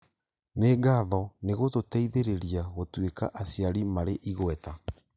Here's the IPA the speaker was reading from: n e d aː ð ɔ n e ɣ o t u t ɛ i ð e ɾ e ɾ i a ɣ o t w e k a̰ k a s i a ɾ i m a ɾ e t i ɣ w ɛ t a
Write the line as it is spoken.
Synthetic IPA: n e ɡ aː ð ɔ n e ɣ o t o t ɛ i ð e ɾ e ɾ i a ɣ o t w e k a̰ ʔ a s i a ɾ i m a ɾ e ʔ i ɣ w ɛ t a